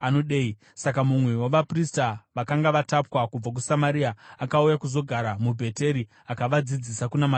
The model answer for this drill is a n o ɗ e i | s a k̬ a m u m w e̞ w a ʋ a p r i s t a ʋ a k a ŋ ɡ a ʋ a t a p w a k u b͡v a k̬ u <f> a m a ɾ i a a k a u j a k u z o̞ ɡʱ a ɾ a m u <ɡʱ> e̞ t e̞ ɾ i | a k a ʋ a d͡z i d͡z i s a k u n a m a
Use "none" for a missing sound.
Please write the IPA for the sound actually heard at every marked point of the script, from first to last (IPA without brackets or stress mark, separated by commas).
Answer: s, bʱ